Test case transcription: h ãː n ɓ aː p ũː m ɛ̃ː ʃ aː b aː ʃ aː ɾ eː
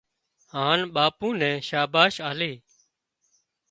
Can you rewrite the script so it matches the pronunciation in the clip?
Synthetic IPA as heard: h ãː n ɓ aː p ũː n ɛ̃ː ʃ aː b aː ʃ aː l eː